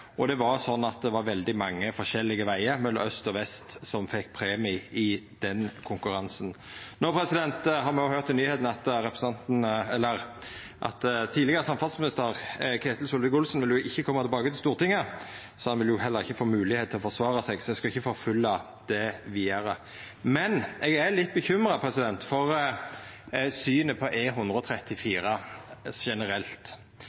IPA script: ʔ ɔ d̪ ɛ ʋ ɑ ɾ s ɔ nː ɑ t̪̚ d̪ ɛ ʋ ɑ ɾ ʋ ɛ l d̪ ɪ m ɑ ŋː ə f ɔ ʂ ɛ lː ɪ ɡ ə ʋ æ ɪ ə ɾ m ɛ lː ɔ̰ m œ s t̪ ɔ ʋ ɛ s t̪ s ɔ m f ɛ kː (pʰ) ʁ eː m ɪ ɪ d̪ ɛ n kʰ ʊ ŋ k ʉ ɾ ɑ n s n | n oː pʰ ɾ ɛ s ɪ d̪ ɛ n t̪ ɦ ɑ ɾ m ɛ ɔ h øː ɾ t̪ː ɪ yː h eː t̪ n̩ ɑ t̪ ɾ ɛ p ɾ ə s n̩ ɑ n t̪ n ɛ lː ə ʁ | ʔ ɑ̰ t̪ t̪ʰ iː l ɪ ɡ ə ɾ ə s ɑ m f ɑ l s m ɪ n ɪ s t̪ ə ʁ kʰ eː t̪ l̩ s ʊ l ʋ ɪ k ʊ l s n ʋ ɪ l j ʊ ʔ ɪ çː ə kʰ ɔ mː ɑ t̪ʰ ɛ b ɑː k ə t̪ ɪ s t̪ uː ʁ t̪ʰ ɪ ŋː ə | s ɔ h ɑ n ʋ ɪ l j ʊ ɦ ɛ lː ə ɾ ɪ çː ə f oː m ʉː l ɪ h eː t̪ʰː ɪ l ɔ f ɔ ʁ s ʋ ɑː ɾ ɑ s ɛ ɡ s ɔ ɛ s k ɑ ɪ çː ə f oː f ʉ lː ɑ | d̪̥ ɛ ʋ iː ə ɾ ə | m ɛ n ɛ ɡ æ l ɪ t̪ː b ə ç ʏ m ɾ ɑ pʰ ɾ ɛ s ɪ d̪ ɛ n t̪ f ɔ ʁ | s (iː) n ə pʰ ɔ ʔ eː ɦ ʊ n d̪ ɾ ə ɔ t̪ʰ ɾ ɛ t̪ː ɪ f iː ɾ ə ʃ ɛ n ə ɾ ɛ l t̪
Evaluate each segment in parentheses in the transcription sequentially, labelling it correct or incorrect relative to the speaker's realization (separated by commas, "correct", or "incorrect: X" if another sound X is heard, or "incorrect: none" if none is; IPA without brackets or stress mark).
correct, incorrect: yː